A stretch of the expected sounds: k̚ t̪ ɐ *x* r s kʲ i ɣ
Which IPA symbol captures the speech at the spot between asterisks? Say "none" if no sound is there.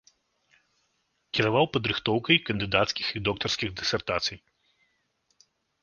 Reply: none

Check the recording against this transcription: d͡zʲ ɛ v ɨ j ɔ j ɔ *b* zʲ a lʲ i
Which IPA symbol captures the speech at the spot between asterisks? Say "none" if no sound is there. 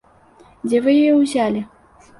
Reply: w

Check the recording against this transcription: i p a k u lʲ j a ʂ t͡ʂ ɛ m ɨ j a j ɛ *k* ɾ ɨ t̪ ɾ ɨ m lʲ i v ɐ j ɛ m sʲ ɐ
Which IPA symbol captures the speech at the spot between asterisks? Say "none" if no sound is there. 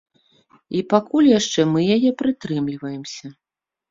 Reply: p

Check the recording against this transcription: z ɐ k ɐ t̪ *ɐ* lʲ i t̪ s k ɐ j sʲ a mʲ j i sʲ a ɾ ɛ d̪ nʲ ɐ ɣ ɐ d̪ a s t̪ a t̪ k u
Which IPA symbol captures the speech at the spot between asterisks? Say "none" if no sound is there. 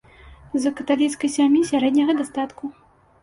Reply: a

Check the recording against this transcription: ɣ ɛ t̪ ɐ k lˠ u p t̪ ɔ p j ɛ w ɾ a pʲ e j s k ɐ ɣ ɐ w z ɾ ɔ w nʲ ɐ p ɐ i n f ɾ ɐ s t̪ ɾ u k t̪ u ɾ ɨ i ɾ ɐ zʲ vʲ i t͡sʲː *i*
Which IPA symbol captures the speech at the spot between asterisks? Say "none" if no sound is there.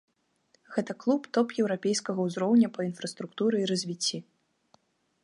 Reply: i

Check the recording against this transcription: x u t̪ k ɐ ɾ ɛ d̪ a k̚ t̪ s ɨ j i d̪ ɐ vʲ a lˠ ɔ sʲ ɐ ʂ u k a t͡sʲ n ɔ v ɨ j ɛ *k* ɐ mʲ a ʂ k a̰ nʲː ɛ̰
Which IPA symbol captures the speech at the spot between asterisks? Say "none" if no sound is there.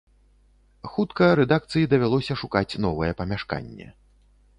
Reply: p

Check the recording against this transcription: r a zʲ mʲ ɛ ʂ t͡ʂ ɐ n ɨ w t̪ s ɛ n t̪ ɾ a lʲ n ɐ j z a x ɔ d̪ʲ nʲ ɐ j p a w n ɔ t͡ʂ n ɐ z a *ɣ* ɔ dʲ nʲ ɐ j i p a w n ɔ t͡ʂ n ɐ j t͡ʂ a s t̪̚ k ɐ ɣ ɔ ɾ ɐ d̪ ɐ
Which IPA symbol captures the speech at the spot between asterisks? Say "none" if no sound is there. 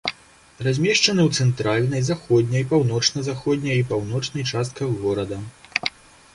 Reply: x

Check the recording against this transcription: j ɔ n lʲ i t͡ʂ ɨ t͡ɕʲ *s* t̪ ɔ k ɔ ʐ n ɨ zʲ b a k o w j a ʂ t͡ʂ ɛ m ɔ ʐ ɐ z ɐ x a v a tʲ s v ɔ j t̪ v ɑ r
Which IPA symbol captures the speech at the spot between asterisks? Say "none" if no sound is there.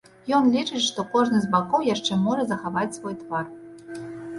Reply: ʂ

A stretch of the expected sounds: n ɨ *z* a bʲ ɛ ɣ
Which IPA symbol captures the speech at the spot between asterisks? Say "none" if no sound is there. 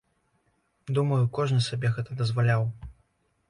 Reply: s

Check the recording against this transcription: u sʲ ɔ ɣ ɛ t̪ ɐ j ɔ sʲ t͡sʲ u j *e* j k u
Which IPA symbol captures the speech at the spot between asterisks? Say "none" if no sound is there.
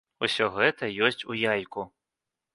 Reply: a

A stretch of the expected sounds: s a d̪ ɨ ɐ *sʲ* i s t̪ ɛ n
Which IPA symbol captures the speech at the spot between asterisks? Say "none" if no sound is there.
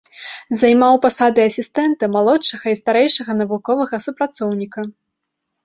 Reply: sʲ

